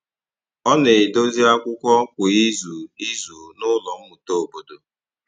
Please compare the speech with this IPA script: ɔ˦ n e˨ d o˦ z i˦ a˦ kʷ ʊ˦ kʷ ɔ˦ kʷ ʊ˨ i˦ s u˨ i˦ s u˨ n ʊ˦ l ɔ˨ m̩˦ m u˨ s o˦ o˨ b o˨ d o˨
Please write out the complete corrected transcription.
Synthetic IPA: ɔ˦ n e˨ d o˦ z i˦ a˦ kʷ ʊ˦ kʷ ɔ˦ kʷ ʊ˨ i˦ z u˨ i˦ z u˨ n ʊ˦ l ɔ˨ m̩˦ m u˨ t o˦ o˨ b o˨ d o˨